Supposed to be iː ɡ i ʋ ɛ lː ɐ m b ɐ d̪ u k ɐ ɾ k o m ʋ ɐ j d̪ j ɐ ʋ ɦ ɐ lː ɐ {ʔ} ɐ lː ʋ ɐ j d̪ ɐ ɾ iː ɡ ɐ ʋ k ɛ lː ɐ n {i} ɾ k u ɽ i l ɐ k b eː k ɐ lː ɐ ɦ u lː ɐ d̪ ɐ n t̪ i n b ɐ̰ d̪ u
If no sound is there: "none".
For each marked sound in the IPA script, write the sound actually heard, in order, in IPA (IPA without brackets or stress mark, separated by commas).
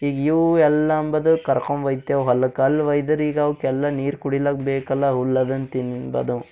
k, iː